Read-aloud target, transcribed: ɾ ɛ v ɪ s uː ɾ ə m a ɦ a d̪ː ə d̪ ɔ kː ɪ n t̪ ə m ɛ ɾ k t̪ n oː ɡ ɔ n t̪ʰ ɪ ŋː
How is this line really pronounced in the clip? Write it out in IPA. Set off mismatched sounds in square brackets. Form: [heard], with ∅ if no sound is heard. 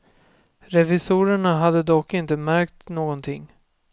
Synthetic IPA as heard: ɾ ɛ v ɪ s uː ɾ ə [ɳ] a ɦ a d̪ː ə d̪ ɔ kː ɪ n t̪ ə m [æ] ɾ k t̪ n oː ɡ ɔ n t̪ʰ ɪ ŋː